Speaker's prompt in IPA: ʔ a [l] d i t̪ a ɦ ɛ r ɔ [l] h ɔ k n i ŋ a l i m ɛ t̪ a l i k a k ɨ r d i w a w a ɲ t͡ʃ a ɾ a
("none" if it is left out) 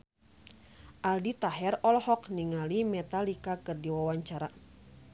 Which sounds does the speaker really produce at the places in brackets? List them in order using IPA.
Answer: l, l

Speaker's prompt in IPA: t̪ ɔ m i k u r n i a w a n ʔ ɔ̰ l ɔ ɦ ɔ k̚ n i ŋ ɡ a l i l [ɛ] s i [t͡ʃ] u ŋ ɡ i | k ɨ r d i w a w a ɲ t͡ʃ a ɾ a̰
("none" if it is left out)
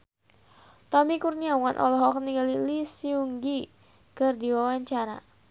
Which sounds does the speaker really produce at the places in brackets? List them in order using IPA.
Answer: i, none

